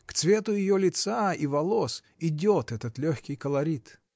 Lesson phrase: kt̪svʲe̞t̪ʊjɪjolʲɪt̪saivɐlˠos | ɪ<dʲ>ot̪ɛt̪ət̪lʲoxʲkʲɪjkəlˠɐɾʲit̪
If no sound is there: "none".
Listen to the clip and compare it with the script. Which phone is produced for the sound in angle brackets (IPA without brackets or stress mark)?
dʲ